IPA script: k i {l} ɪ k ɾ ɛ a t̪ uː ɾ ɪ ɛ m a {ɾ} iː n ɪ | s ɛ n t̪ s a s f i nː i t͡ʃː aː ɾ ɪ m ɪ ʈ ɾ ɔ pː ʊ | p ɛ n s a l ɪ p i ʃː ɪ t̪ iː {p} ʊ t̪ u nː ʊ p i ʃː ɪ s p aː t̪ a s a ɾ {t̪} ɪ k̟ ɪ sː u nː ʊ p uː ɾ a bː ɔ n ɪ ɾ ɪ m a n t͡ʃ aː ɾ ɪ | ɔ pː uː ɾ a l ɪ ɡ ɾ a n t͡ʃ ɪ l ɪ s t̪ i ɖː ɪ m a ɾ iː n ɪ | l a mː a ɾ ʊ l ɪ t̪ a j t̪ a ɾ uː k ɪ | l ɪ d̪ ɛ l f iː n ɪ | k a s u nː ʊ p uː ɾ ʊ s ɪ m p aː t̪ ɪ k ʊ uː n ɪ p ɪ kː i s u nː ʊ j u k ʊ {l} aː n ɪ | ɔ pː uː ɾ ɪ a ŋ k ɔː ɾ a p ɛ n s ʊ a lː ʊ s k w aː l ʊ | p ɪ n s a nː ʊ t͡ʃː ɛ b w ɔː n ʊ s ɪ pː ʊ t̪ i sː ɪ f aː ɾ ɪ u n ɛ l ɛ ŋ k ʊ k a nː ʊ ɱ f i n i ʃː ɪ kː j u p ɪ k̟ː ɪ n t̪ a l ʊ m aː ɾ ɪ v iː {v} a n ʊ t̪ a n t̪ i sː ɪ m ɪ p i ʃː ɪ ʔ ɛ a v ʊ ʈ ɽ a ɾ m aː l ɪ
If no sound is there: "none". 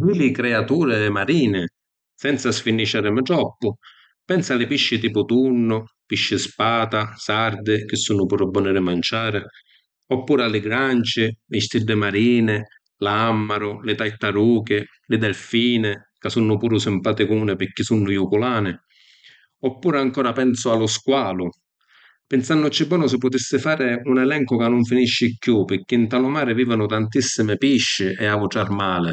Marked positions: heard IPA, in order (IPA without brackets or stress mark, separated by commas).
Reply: l, ɾ, p, d̪, l, v